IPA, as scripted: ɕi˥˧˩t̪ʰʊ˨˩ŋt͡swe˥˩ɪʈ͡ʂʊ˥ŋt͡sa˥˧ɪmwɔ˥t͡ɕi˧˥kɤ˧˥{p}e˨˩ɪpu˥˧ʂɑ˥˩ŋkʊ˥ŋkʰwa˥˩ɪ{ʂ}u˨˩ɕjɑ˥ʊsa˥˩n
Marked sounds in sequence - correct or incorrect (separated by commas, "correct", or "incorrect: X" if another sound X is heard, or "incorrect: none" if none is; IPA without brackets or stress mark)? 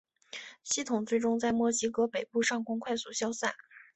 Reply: correct, incorrect: s